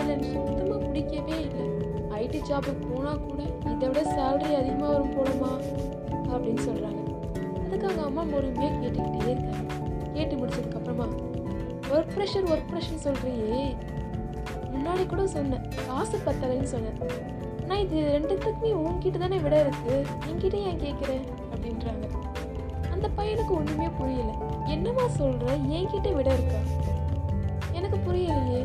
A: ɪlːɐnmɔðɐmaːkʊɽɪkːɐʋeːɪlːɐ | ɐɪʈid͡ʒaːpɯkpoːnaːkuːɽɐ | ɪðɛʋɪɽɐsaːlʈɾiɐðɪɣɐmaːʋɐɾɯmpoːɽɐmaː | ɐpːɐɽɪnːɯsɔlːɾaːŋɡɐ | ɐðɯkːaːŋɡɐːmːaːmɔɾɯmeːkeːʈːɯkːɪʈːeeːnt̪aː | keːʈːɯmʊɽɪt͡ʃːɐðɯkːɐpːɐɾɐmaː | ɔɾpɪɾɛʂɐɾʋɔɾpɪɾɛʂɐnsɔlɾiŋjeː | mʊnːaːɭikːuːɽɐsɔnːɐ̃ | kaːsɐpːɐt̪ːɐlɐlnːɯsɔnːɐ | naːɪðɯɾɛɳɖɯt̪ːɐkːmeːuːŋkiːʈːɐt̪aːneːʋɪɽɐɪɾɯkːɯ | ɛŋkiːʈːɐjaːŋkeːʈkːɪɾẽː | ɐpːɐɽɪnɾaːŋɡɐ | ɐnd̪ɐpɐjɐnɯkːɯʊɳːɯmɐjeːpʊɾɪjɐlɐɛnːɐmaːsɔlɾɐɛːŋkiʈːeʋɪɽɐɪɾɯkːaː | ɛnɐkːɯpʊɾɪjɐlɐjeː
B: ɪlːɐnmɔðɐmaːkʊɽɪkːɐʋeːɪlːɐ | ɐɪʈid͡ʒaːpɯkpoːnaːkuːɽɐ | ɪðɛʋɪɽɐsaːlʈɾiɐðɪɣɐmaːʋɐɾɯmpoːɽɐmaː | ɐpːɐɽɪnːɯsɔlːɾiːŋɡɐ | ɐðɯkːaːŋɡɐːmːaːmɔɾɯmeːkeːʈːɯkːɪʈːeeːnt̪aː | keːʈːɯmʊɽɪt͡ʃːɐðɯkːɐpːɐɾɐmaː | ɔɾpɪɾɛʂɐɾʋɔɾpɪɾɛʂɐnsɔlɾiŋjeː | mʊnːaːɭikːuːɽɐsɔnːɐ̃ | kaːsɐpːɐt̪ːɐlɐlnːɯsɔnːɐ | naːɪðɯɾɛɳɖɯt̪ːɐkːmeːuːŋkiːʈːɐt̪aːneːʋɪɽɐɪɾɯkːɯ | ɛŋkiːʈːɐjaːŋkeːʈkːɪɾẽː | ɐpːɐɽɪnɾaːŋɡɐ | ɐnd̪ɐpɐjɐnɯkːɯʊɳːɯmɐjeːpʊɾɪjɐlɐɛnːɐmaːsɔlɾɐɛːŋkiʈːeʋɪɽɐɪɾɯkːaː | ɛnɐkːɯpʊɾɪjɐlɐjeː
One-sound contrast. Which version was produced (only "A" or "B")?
A